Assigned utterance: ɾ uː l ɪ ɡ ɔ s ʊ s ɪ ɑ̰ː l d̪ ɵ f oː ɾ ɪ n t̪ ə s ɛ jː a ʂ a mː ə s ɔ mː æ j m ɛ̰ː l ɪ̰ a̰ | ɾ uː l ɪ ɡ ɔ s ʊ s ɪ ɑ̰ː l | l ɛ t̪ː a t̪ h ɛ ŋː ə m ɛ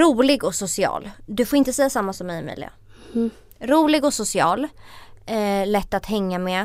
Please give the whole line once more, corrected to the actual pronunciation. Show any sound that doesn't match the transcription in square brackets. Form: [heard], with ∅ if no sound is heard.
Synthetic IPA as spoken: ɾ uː l ɪ ɡ ɔ s ʊ s ɪ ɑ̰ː l d̪ ɵ f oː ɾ ɪ n t̪ ə s ɛ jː a [s] a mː [a] s ɔ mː [ɛ] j m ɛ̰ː l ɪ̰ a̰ | ɾ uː l ɪ ɡ ɔ s ʊ s ɪ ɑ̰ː l | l ɛ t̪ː a t̪ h ɛ ŋː [a] m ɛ